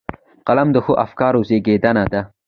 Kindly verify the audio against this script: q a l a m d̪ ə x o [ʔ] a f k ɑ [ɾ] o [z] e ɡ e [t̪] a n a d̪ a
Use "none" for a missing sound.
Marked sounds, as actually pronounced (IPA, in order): ʔ, ɾ, z, d̪

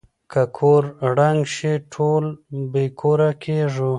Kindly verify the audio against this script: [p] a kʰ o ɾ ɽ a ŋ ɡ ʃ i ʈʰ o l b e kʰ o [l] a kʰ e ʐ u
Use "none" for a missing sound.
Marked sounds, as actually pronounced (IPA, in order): k, ɾ

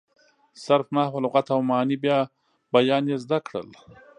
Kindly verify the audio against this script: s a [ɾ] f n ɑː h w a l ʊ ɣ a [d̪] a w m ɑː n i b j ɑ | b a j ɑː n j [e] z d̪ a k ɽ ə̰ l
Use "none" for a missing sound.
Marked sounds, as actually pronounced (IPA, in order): ɾ, t̪, e

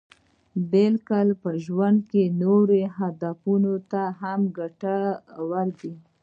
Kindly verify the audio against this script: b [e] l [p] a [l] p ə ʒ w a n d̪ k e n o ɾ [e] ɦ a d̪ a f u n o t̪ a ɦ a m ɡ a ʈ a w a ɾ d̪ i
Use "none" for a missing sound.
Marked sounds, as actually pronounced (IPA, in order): e, k, l, e

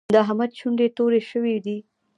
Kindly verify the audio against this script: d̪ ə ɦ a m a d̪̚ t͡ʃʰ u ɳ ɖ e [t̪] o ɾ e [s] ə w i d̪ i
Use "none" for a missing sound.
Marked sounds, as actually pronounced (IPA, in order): t̪, ʃ

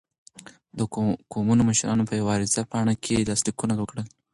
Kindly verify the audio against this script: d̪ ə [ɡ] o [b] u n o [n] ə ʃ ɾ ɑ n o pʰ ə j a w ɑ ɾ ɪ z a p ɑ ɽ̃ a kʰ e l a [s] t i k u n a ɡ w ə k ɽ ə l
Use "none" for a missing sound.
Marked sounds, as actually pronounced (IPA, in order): k, m, m, s

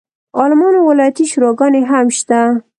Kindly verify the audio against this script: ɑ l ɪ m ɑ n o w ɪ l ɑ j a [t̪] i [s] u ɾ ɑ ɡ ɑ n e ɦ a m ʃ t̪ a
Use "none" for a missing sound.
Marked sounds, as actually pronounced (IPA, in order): t̪, ʃ

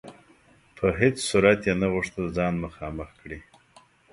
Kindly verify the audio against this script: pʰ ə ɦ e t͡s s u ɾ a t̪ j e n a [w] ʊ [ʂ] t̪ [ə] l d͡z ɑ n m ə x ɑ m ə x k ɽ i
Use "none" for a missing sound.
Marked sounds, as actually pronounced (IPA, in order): ɣ, ʂ, ə

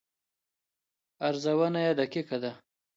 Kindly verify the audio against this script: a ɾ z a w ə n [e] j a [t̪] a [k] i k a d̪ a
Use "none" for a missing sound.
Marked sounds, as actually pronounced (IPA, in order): a, d̪, k

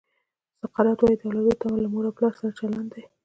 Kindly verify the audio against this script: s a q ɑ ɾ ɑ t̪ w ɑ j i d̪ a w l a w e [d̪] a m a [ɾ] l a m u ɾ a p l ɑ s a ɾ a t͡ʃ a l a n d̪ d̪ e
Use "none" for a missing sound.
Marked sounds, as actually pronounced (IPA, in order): t̪, none

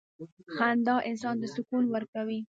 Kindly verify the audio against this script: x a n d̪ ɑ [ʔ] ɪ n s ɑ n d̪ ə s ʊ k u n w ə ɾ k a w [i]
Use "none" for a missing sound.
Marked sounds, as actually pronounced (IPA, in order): ʔ, i

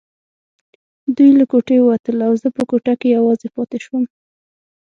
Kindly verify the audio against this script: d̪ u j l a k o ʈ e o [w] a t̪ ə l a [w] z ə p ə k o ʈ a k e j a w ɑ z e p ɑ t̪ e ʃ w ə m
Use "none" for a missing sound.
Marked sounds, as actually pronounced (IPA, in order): w, w

